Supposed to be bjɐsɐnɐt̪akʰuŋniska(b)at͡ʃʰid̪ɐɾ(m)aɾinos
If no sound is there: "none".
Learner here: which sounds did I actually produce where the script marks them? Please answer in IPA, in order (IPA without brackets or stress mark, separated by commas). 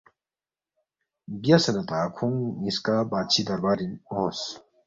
b, b